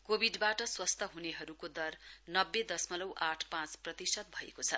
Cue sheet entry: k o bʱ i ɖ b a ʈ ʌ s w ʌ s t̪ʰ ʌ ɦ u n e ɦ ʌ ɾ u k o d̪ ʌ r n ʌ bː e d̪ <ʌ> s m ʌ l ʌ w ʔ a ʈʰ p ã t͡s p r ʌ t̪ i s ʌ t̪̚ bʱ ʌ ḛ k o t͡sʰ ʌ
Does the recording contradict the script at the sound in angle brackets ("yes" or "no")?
no